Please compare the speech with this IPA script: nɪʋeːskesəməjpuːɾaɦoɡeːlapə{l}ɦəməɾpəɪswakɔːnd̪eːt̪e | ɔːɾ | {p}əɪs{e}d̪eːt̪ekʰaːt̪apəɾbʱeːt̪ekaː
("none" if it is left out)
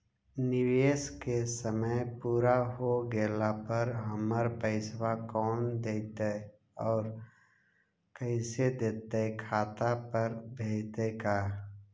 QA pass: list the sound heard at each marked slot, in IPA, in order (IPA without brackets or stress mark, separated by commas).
ɾ, k, e